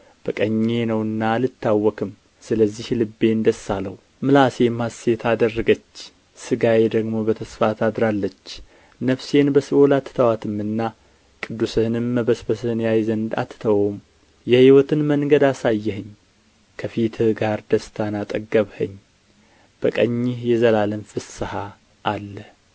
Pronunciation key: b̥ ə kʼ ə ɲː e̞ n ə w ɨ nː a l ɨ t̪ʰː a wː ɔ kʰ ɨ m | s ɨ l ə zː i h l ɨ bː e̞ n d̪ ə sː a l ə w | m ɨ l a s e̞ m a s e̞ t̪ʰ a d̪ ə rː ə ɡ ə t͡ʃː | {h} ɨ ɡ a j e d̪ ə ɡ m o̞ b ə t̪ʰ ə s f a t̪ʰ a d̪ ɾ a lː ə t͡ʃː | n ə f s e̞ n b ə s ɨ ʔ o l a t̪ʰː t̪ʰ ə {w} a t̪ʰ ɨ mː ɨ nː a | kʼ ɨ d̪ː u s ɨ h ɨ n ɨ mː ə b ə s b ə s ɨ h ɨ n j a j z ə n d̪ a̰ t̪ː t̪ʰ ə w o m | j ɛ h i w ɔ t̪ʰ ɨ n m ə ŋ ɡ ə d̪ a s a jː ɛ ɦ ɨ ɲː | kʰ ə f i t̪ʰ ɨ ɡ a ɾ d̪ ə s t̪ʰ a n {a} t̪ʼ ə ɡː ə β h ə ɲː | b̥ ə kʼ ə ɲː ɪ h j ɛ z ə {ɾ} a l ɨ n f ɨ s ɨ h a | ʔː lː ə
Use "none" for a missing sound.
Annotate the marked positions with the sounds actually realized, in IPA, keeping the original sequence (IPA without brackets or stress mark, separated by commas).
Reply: s, w, a, l